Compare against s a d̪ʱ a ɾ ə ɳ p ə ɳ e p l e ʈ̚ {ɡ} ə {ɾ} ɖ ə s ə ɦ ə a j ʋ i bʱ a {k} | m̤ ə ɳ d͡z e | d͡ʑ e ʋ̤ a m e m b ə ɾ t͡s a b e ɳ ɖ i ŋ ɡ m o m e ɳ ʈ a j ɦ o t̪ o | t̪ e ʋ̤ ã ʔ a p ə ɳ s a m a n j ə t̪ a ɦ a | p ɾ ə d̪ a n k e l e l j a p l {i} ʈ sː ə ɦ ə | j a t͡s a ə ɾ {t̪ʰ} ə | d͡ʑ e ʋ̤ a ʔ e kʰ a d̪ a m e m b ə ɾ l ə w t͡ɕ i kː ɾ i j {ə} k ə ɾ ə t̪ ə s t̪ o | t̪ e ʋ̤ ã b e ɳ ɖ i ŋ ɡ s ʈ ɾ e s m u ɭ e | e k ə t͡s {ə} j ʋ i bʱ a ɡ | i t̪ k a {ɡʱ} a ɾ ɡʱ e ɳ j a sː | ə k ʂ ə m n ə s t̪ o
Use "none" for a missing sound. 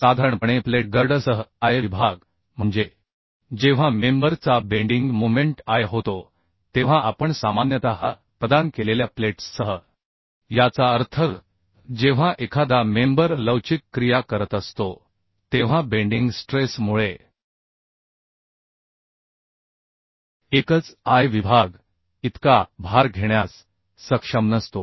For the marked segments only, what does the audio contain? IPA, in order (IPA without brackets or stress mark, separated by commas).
ɡ, ɾ, ɡ, e, t̪ʰ, a, a, bʱ